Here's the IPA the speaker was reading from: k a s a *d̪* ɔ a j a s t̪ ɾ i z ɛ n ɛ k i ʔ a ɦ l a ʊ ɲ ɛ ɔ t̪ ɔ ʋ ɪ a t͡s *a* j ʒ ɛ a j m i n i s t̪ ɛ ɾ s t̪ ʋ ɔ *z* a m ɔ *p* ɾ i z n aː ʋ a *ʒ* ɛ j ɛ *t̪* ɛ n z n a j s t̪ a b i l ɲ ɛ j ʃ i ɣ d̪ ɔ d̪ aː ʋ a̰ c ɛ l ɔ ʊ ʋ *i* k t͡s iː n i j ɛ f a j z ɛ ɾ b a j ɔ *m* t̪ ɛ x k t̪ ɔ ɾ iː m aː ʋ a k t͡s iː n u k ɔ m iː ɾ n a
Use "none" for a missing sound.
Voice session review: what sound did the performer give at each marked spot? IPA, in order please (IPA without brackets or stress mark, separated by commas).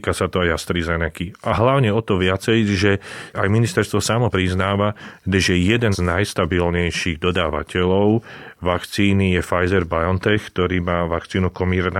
t̪, ɛ, s, p, ʒ, d̪, a, n